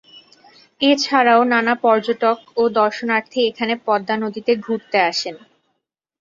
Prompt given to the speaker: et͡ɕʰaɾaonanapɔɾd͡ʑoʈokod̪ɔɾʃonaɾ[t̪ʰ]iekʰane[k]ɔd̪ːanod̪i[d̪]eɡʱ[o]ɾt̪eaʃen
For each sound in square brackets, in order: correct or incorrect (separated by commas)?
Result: correct, incorrect, incorrect, incorrect